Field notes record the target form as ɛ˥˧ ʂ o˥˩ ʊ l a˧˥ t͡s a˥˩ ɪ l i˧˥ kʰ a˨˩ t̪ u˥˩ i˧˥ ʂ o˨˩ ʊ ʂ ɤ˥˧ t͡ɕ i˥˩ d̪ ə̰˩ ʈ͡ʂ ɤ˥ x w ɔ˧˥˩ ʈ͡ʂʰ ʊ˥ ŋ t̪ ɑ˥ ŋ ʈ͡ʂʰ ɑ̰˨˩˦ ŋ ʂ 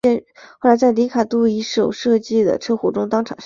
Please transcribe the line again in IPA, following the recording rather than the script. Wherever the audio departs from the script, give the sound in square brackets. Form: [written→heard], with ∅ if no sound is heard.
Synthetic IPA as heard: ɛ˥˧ [ʂ→x] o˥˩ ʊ l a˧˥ t͡s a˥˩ ɪ l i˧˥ kʰ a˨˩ t̪ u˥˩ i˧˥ ʂ o˨˩ ʊ ʂ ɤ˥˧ t͡ɕ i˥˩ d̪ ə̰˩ [ʈ͡ʂ→ʈ͡ʂʰ] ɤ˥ x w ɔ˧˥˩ [ʈ͡ʂʰ→ʈ͡ʂ] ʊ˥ ŋ t̪ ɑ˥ ŋ ʈ͡ʂʰ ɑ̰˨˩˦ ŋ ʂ